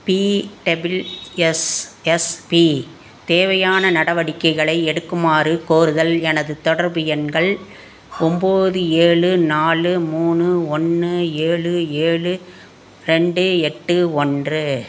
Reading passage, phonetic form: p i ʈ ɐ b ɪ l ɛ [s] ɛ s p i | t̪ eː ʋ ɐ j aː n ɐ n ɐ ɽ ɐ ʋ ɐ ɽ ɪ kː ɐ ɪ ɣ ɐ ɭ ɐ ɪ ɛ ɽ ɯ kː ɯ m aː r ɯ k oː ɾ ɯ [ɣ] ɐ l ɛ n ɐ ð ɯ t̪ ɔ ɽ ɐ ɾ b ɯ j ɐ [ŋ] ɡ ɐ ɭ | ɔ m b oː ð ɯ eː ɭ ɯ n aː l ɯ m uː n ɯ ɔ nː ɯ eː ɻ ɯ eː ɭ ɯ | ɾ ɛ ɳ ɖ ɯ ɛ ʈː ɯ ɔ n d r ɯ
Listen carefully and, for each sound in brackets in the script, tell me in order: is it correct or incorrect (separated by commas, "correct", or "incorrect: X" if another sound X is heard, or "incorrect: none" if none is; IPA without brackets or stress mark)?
correct, incorrect: ð, incorrect: n